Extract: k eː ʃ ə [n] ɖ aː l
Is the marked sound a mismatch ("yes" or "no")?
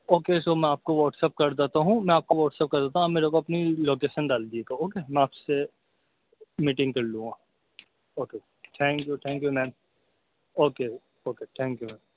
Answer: no